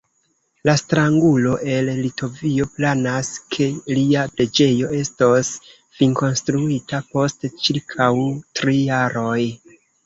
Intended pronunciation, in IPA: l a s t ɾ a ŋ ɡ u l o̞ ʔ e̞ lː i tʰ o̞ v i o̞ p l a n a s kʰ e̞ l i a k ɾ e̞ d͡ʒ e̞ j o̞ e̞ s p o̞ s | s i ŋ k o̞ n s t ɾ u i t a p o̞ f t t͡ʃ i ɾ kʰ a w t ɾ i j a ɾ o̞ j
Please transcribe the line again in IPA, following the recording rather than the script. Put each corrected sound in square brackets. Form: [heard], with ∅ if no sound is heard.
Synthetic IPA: l a s t ɾ a ŋ ɡ u l o̞ ʔ e̞ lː i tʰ o̞ v i o̞ p l a n a s kʰ e̞ l i a [p] ɾ e̞ d͡ʒ e̞ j o̞ e̞ s [t] o̞ s | [f] i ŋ k o̞ n s t ɾ u i t a p o̞ [s] t t͡ʃ i ɾ kʰ a w t ɾ i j a ɾ o̞ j